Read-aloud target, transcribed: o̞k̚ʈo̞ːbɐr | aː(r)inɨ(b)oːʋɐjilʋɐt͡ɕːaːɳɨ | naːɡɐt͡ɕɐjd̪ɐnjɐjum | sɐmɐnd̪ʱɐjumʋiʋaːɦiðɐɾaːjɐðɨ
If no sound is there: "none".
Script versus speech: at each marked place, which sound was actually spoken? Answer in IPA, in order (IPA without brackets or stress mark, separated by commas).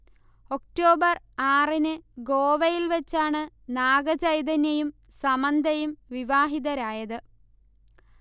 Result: r, ɡ